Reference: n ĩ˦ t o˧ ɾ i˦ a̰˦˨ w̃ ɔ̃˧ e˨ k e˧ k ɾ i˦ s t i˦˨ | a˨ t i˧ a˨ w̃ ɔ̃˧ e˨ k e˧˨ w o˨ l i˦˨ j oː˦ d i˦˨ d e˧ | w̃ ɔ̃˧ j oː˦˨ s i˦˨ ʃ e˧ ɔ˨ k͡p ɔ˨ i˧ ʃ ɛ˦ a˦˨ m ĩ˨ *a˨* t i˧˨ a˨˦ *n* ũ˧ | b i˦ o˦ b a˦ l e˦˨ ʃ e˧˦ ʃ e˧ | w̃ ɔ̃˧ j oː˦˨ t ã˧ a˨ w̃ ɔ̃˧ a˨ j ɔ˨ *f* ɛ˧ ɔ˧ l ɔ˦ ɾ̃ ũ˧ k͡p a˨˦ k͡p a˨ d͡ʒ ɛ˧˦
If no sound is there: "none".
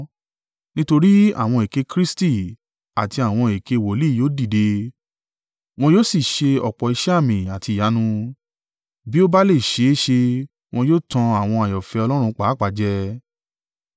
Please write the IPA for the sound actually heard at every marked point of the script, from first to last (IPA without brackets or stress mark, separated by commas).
a˨, n, f